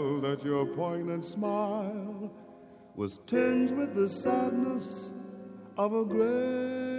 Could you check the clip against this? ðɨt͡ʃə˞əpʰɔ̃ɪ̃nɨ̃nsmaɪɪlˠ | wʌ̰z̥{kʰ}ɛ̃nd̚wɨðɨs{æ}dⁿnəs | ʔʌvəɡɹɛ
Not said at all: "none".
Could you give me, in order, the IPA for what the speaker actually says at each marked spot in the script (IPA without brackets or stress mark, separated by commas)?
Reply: tʰ, æ